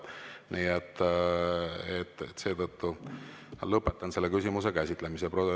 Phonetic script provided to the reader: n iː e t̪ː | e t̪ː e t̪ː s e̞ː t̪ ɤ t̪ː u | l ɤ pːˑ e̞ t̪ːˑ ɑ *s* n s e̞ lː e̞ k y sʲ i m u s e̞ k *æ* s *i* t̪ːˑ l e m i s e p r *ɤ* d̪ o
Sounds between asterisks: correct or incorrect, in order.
incorrect: none, correct, correct, incorrect: o

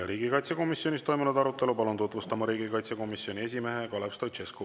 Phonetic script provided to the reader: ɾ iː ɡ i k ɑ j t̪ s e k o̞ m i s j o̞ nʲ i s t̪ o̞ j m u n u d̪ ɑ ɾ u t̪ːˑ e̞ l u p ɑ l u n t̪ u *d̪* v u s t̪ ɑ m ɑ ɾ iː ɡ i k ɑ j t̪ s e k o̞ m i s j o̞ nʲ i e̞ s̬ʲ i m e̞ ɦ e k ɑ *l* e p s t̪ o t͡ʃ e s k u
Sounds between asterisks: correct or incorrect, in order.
incorrect: t̪, correct

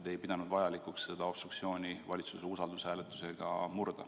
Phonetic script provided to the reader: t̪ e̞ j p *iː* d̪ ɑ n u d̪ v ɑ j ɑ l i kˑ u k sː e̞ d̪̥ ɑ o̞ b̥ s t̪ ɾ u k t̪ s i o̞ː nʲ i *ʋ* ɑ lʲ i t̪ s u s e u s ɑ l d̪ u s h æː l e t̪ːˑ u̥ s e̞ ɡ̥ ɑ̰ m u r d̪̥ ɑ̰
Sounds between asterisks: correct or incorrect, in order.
incorrect: i, incorrect: v

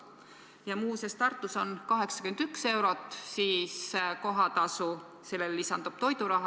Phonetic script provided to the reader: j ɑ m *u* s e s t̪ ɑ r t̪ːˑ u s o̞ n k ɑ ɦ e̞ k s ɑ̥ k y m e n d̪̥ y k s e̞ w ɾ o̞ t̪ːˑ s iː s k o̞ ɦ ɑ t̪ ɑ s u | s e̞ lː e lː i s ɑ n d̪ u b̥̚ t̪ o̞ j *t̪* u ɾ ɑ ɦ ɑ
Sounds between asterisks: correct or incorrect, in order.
incorrect: uː, incorrect: d̪

